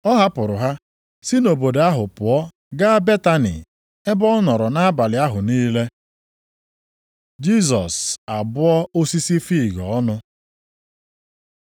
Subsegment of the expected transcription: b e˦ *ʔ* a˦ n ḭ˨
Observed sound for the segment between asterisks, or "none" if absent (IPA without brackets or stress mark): t